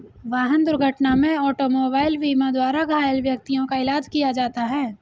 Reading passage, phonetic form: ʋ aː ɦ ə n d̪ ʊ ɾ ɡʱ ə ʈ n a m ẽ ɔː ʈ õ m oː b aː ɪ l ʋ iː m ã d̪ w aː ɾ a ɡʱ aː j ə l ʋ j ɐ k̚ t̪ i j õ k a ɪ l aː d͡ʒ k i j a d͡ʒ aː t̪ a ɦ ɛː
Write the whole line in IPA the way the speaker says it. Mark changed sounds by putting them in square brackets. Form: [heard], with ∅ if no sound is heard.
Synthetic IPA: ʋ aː ɦ ə n d̪ ʊ ɾ ɡʱ ə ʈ n a m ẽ ɔː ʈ [o] m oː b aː ɪ l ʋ iː m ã d̪ w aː ɾ a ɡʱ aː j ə l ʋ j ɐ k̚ t̪ i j õ k a ɪ l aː d͡ʒ k i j a d͡ʒ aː t̪ a ɦ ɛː

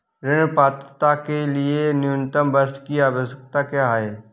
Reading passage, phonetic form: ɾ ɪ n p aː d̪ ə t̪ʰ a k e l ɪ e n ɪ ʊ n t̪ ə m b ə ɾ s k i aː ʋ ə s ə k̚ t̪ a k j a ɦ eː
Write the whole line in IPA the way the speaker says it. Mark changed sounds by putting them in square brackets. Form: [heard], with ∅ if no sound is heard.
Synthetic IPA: ɾ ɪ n p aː [t̪] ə [t̪] a k e l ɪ e n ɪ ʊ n t̪ ə m b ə ɾ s k i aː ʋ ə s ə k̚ t̪ a k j a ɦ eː

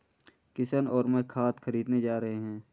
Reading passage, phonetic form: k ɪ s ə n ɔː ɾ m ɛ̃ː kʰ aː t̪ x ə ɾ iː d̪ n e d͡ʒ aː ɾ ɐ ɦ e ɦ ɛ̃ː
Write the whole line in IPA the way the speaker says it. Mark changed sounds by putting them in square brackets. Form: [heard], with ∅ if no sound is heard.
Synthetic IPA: k ɪ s ə n ɔː ɾ m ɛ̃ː kʰ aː t̪ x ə ɾ iː d̪ n e d͡ʒ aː ɾ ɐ ɦ e ɦ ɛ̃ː

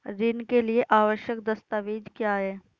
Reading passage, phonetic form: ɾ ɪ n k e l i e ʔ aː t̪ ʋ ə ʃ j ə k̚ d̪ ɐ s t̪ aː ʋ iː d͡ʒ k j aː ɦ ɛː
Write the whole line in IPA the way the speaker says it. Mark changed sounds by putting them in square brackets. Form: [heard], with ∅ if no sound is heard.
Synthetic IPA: ɾ ɪ n k e l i e ʔ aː [∅] ʋ ə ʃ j ə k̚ d̪ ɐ s t̪ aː ʋ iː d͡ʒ k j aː ɦ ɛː

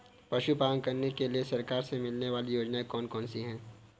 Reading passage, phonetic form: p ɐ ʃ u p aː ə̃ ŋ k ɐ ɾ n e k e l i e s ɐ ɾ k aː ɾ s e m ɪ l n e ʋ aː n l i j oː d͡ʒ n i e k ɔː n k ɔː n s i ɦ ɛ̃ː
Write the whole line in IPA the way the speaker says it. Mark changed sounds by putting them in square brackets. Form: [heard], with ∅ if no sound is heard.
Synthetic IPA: p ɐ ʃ u p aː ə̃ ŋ k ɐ ɾ n e k e l i e s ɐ ɾ k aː ɾ s e m ɪ l n e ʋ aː [∅] l i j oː d͡ʒ n [a] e k ɔː n k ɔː n s i ɦ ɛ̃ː

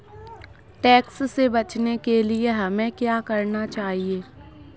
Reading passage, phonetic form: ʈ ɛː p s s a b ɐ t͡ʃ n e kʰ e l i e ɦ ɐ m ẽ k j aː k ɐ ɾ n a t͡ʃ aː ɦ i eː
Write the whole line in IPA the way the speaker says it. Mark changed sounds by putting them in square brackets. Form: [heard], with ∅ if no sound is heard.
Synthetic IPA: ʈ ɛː [k] s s [e] b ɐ t͡ʃ n e [k] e l i e ɦ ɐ m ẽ k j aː k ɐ ɾ n a t͡ʃ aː ɦ i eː

